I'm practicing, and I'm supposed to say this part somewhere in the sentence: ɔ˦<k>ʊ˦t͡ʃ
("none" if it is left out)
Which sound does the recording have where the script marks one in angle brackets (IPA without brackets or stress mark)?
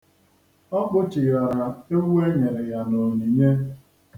k͡p